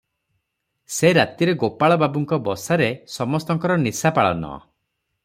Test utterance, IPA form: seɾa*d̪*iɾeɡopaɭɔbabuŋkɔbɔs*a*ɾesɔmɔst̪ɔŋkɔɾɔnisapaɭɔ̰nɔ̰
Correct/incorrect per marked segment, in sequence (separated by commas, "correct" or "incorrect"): incorrect, correct